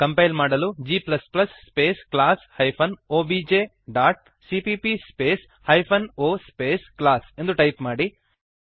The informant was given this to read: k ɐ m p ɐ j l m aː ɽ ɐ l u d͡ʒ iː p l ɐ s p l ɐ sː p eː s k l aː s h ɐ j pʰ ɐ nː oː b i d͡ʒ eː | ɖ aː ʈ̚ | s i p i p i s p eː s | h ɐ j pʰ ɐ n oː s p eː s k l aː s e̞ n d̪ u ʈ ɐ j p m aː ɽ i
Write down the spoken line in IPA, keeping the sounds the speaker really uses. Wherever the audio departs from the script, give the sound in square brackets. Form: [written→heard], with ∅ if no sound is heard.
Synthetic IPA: k ɐ m p ɐ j l m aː ɽ ɐ l u d͡ʒ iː p l ɐ s p l ɐ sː p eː s k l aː s h ɐ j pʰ ɐ [nː→n] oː b i d͡ʒ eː | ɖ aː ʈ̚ | s i p i p i s p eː s | h ɐ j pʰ ɐ n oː s p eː s k l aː s e̞ n d̪ u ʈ ɐ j p m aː ɽ i